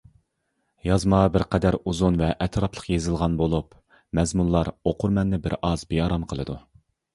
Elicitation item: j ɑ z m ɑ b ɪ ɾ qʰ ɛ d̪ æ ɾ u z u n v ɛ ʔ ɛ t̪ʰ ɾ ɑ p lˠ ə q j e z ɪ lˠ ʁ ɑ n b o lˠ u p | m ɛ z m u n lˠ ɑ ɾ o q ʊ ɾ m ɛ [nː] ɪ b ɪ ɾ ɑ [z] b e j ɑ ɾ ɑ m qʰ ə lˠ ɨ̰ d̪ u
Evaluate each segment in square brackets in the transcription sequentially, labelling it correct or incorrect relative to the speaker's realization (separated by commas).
correct, correct